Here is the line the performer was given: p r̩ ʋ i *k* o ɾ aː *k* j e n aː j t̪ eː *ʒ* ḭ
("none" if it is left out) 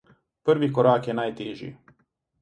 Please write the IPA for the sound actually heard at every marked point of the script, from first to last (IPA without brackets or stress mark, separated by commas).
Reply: k, k, ʒ